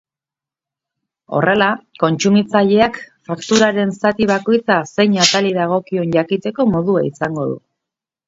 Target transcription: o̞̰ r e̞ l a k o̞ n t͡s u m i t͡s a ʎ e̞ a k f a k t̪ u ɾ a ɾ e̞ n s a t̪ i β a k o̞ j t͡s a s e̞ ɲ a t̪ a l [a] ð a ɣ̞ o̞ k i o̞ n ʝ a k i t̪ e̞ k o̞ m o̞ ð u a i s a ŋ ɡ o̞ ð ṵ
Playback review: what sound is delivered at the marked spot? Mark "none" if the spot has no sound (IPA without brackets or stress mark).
i